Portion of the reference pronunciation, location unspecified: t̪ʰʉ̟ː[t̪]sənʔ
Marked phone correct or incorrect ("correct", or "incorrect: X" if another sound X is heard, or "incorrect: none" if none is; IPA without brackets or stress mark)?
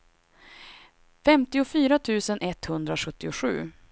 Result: incorrect: none